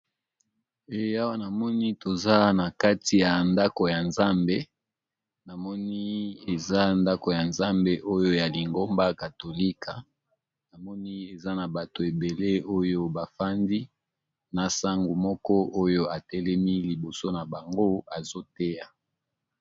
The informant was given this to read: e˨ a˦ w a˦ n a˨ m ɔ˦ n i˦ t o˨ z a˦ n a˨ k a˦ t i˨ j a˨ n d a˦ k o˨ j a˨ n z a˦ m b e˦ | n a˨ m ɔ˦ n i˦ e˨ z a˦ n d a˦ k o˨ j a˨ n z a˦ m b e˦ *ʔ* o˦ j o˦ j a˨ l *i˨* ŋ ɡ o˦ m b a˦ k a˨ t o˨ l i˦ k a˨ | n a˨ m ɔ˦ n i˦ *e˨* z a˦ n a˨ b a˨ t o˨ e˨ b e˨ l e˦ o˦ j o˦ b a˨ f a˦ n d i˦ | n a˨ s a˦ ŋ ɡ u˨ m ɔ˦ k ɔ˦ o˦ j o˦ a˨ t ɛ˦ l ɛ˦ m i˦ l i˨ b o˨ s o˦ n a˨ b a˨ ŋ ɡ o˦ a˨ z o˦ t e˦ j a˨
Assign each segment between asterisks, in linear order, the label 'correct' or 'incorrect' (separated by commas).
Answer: correct, correct, correct